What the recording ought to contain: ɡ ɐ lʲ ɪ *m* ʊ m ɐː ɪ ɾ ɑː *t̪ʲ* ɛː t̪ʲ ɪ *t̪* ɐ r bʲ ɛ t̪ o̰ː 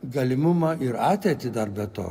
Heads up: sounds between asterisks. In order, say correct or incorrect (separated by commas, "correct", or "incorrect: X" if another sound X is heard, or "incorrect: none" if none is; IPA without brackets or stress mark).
correct, correct, incorrect: d̪